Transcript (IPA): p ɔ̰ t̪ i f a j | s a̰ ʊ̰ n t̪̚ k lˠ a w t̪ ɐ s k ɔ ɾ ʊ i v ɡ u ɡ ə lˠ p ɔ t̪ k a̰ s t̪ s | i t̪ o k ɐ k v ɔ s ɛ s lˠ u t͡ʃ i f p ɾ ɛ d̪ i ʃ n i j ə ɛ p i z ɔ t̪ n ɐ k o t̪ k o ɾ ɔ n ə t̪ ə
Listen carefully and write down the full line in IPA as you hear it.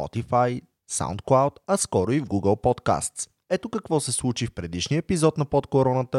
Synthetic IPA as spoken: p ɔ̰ t̪ i f a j | s a̰ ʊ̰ n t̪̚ k lˠ a w t̪ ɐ s k ɔ ɾ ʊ i v ɡ u ɡ ə lˠ p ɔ t̪ k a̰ s t̪ s | ɛ t̪ o k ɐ k v ɔ s ɛ s lˠ u t͡ʃ i f p ɾ ɛ d̪ i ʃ n i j ə ɛ p i z ɔ t̪ n ɐ p o t̪ k o ɾ ɔ n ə t̪ ə